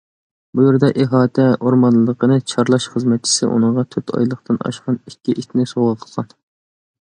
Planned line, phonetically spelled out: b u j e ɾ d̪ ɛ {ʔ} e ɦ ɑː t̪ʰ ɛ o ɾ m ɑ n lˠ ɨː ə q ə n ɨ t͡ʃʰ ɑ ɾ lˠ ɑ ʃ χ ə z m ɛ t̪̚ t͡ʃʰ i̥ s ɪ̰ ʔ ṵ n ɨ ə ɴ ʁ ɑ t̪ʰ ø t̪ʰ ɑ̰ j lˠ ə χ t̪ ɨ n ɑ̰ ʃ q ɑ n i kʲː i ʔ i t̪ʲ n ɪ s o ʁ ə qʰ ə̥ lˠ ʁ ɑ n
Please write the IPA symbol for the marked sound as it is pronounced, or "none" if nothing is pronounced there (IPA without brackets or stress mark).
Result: ʔ